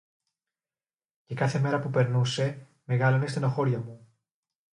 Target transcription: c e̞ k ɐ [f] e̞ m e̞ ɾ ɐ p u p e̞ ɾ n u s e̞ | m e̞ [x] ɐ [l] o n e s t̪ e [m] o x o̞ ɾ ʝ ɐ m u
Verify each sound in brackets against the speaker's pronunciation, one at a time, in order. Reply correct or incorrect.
incorrect: θ, incorrect: ɣ, correct, incorrect: n

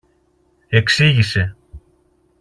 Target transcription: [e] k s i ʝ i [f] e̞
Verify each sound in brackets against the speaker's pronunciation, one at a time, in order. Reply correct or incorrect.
correct, incorrect: s

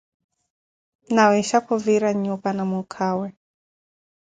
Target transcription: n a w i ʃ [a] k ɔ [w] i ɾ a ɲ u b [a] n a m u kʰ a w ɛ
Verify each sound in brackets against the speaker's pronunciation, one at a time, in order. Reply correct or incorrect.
correct, incorrect: v, correct

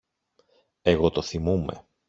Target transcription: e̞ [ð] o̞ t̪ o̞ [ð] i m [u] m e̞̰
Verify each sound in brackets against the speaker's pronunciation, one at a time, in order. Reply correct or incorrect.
incorrect: ɣ, incorrect: θ, correct

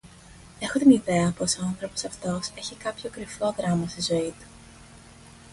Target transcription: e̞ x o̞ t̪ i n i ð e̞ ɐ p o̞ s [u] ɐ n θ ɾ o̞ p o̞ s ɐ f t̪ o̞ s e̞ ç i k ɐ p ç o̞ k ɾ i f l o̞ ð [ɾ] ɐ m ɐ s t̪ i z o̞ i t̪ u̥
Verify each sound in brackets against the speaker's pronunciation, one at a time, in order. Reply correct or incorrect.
incorrect: o, correct

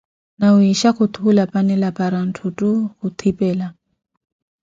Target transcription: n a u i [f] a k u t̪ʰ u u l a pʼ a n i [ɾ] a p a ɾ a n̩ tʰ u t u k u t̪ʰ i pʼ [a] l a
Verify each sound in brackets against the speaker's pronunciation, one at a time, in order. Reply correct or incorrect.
incorrect: ʃ, incorrect: l, incorrect: ɛ

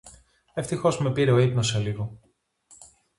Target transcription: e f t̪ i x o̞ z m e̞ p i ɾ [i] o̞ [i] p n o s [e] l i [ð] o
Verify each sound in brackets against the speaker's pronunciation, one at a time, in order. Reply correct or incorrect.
incorrect: e, correct, correct, incorrect: ɣ

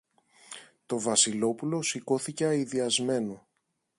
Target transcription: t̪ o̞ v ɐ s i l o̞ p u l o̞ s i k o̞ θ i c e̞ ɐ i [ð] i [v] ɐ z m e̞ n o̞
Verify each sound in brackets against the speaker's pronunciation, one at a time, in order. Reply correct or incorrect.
correct, incorrect: none

